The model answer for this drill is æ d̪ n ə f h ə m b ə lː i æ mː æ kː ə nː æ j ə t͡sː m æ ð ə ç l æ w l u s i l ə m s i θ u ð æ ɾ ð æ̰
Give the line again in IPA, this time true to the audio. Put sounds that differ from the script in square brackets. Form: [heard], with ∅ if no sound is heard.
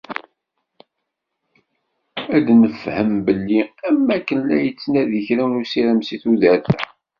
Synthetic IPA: æ d̪ n ə f h ə m b ə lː i æ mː æ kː ə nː æ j ə t͡sː [n] æ ð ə ç [ɾ] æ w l u s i [ɾ] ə m s i θ u ð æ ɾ [θ] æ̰